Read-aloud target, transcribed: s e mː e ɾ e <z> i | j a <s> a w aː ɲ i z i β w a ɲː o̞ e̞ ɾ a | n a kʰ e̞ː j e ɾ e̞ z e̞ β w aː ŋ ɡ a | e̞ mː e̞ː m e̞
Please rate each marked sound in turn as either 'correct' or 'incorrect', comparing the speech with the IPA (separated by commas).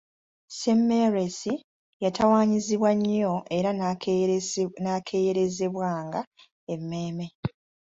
incorrect, incorrect